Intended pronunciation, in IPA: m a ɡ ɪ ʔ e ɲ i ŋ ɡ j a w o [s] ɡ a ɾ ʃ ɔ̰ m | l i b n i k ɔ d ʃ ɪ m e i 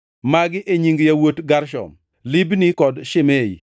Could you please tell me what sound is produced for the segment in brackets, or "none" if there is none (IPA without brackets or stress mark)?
t